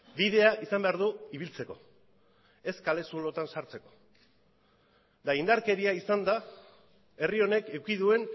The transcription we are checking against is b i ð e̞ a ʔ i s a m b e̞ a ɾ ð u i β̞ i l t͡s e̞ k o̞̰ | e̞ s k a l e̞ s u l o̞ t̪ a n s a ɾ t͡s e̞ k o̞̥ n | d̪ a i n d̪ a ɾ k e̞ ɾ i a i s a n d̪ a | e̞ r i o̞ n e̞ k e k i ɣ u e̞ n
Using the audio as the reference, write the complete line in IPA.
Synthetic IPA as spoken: b i ð e̞ a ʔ i s a m b e̞ a ɾ ð u i β̞ i l t͡s e̞ k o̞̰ | e̞ s k a l e̞ s u l o̞ t̪ a n s a ɾ t͡s e̞ k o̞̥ | d̪ a i n d̪ a ɾ k e̞ ɾ i a i s a n d̪ a | e̞ r i o̞ n e̞ k e k i ð u e̞ n

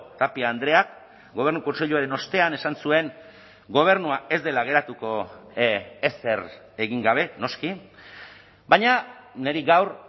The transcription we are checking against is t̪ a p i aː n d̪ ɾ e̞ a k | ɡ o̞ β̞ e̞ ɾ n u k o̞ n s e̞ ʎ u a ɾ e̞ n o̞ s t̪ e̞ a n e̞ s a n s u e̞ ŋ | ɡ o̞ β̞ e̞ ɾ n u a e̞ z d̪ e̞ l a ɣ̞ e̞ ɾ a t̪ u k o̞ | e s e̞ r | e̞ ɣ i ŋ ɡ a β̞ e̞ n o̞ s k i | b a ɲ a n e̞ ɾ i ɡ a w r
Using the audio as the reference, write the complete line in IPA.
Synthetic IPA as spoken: t̪ a p i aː n d̪ ɾ e̞ a k | ɡ o̞ β̞ e̞ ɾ n u k o̞ n s e̞ ʎ u a ɾ e̞ n o̞ s t̪ e̞ a n e̞ s a n s u e̞ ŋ | ɡ o̞ β̞ e̞ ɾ n u a e̞ z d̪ e̞ l a ɣ̞ e̞ ɾ a t̪ u k o̞ | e s e̞ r | e̞ ɣ i ŋ ɡ a β̞ e̞ n o̞ s k i | b a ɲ a n e̞ ɾ i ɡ a w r

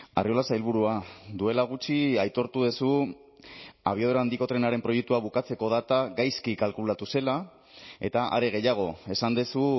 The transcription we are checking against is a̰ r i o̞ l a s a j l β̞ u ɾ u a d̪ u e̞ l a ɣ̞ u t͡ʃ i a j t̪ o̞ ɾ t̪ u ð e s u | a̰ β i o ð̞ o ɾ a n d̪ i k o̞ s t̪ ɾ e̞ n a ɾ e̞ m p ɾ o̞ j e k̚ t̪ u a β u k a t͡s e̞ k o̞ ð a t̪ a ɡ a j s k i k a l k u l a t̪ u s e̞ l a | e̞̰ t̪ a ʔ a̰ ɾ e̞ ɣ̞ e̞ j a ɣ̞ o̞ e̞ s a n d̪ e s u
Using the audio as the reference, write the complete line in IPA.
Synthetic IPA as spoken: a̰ r i o̞ l a s a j l β̞ u ɾ u a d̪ u e̞ l a ɣ̞ u t͡ʃ i a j t̪ o̞ ɾ t̪ u ð e s u | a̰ β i o ð̞ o ɾ a n d̪ i k o̞ t̪ ɾ e̞ n a ɾ e̞ m p ɾ o̞ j e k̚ t̪ u a β u k a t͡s e̞ k o̞ ð a t̪ a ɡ a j s k i k a l k u l a t̪ u s e̞ l a | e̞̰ t̪ a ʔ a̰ ɾ e̞ ɣ̞ e̞ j a ɣ̞ o̞ e̞ s a n d̪ e s u

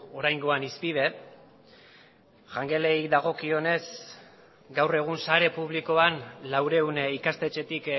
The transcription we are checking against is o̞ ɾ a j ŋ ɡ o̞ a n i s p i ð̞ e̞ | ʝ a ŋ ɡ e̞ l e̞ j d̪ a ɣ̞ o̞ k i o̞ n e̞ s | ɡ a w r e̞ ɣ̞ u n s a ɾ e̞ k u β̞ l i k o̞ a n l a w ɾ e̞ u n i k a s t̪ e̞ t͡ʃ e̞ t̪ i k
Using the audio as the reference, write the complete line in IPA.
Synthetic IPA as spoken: o̞ ɾ a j ŋ ɡ o̞ a n i s p i ð̞ e̞ | ʝ a ŋ ɡ e̞ l e̞ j d̪ a ɣ̞ o̞ k i o̞ n e̞ s | ɡ a w r e̞ ɣ̞ u n s a ɾ e̞ p u β̞ l i k o̞ a n l a w ɾ e̞ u n i k a s t̪ e̞ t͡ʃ e̞ t̪ i k

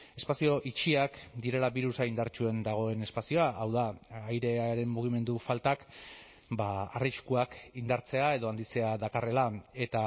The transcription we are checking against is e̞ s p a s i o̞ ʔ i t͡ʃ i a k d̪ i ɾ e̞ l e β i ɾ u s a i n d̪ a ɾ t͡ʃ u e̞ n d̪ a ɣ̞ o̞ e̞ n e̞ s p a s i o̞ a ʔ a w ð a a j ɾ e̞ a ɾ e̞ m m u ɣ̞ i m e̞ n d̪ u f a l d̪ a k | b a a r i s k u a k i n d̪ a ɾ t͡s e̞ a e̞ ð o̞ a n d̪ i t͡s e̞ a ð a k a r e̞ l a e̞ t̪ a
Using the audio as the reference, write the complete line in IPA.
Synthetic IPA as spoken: e̞ s p a s i o̞ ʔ i t͡ʃ i a k d̪ i ɾ e̞ l a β i ɾ u s a i n d̪ a ɾ t͡ʃ u e̞ n d̪ a ɣ̞ o̞ e̞ n e̞ s p a s i o̞ a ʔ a w ð a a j ɾ e̞ a ɾ e̞ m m u ɣ̞ i m e̞ n d̪ u f a l t̪ a k | b a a r i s k u a k i n d̪ a ɾ t͡s e̞ a e̞ ð o̞ a n d̪ i t͡s e̞ a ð a k a r e̞ l a e̞ t̪ a

